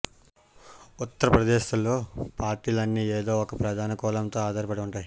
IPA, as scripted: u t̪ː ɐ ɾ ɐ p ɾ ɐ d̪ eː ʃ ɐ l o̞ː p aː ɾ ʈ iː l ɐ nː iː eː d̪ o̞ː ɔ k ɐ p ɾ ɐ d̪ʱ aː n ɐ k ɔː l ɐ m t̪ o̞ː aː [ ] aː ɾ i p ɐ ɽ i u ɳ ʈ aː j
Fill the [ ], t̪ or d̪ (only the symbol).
d̪